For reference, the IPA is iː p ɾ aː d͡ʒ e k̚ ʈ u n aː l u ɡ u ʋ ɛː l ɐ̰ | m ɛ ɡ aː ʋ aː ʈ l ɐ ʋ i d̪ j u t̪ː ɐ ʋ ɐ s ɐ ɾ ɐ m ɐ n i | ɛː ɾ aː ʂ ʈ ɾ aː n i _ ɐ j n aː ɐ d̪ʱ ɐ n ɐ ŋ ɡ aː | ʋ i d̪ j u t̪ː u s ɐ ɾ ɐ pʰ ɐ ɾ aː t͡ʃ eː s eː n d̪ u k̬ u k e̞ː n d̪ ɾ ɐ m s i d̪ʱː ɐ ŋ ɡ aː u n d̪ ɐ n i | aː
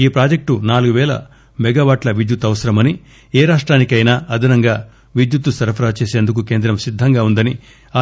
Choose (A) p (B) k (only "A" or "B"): B